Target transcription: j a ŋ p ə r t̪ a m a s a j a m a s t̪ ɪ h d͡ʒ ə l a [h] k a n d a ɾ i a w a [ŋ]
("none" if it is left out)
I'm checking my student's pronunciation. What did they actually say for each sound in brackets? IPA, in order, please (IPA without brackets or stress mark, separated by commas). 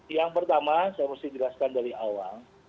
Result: s, ŋ